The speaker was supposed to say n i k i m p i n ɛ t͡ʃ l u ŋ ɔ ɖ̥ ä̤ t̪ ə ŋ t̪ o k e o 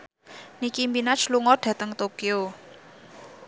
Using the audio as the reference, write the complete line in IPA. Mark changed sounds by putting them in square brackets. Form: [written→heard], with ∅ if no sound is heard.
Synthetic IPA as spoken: n i k i m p i n [ɛ→a] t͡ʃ l u ŋ ɔ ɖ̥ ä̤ t̪ ə ŋ t̪ o k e o